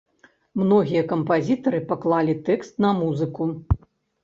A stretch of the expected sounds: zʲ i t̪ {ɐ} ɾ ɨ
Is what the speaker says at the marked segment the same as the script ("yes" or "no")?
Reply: yes